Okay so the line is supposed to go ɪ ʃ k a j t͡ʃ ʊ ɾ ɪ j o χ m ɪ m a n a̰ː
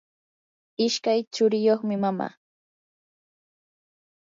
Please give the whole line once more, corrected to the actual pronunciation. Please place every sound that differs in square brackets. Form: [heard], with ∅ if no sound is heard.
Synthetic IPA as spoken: ɪ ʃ k a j t͡ʃ ʊ ɾ ɪ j o χ m ɪ m a [m] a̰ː